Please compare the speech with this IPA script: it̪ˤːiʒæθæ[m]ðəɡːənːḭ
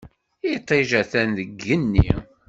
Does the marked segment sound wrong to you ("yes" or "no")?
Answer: yes